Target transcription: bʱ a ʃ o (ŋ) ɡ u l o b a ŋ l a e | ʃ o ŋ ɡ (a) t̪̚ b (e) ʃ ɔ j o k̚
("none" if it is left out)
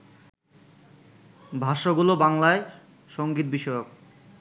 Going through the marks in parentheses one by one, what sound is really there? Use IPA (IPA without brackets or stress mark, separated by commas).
none, i, i